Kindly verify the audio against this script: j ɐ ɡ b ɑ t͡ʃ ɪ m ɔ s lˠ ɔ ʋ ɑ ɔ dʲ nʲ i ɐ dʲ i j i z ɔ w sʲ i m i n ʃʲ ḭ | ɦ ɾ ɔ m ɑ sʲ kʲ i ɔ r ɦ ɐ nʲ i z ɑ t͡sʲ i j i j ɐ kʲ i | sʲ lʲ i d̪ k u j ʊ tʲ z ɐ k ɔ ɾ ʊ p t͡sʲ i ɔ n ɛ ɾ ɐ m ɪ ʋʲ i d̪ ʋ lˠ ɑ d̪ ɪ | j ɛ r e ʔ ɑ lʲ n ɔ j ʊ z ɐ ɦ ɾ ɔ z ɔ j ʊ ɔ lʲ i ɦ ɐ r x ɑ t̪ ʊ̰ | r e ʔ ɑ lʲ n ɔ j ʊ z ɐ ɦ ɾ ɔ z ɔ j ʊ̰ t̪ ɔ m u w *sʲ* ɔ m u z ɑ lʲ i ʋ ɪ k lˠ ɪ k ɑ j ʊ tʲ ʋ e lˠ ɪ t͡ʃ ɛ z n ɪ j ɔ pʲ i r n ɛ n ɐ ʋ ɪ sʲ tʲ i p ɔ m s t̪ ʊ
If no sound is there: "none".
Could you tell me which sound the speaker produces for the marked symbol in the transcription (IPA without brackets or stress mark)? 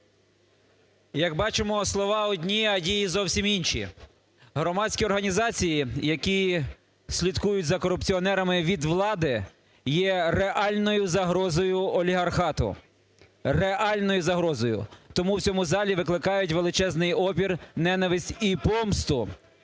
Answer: t͡sʲ